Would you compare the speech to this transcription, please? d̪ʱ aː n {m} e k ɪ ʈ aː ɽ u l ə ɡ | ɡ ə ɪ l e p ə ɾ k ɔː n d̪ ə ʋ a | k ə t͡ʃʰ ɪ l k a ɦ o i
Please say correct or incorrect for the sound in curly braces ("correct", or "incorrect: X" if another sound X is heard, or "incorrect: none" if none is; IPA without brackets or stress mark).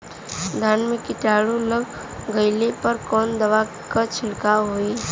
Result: correct